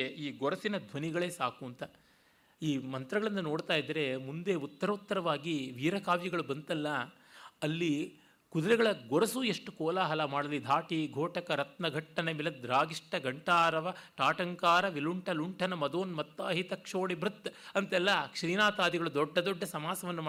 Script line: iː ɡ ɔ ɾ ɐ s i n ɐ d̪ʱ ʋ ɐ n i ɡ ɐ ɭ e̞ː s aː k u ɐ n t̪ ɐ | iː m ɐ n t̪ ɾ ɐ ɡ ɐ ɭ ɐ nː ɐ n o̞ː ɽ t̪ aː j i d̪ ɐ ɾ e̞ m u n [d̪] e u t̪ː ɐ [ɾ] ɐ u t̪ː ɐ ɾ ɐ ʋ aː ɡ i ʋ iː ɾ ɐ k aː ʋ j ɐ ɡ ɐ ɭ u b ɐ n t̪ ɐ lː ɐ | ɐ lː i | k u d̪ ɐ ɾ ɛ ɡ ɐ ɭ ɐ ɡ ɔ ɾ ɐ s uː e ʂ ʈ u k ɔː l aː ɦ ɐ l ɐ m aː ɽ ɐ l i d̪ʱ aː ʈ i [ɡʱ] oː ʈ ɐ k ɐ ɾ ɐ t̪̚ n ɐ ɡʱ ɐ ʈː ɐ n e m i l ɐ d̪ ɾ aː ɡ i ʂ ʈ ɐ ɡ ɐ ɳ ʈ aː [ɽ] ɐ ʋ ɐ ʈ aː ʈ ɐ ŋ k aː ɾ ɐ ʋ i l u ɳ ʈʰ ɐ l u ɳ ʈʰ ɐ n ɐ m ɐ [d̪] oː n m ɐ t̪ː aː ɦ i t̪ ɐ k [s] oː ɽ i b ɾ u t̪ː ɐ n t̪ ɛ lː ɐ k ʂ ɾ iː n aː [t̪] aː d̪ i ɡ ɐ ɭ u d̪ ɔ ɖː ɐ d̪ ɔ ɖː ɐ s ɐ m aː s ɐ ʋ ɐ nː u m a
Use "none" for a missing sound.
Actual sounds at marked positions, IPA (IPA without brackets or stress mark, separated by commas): d̪, ɾ, ɡʱ, ɾ, d̪, ʂ, t̪